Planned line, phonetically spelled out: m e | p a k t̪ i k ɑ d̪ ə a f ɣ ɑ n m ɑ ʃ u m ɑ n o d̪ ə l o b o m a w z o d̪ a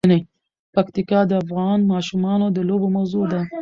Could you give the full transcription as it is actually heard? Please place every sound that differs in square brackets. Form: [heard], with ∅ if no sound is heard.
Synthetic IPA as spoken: [n] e | p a k t̪ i k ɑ d̪ ə a f ɣ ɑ n m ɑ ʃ u m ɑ n o d̪ ə l o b o m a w z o d̪ a